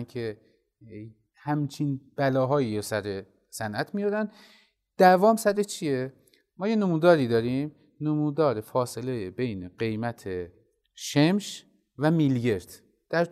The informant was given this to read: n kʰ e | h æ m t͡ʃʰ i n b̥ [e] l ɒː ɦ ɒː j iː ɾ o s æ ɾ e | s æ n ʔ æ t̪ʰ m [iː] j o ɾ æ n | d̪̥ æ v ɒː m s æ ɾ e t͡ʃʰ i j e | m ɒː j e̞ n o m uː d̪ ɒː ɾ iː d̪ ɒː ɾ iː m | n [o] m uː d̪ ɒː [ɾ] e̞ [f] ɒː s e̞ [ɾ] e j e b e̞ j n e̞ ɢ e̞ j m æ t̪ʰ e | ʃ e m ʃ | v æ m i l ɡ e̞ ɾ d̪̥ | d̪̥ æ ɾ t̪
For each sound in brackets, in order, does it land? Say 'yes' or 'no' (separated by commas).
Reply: no, no, yes, yes, yes, no